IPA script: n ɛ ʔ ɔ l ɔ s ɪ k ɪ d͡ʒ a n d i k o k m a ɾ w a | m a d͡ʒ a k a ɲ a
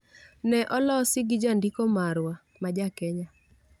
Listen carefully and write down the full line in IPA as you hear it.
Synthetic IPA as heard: n ɛ ʔ ɔ l ɔ s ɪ ɡ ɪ d͡ʒ a n d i k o m a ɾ w a | m a d͡ʒ a k ɛ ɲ a